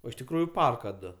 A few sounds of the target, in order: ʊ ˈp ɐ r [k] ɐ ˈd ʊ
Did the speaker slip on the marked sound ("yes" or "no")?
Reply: no